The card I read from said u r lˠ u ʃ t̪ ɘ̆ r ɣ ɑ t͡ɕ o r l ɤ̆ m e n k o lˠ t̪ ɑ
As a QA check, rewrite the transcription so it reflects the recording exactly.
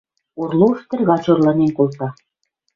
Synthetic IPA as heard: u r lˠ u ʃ t̪ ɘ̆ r ɣ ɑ t͡ɕ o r l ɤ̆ n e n k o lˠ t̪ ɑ